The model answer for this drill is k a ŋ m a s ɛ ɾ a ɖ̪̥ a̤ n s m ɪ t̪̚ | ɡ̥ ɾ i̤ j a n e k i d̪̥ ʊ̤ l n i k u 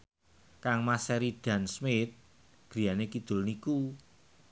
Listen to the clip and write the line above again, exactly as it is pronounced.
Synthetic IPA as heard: k a ŋ m a s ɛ ɾ i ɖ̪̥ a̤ n s m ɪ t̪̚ | ɡ̥ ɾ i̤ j a n e k i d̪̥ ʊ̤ l n i k u